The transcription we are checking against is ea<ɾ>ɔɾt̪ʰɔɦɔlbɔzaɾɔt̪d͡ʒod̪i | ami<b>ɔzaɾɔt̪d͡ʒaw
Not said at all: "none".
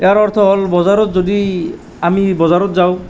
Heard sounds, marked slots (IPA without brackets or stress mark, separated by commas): ɾ, b